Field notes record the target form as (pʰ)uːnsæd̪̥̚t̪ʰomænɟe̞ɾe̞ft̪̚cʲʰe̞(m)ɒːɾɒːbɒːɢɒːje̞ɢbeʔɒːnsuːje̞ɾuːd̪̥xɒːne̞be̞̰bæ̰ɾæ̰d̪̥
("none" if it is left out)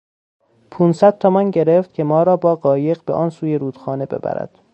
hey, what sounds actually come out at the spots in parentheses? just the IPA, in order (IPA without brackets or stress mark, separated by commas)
pʰ, m